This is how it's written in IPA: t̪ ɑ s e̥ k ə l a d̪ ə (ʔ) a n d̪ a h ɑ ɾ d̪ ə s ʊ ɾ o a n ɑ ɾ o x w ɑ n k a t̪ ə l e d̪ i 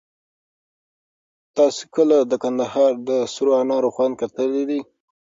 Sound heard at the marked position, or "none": k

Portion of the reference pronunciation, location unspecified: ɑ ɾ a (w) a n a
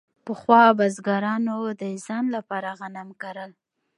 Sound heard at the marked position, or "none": ɣ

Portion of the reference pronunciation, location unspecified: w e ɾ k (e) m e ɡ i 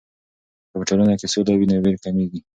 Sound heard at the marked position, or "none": a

